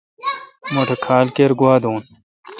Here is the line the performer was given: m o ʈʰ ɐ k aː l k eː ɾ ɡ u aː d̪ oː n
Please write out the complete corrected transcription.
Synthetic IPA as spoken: m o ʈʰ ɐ kʰ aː l k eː ɾ ɡ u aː d̪ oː n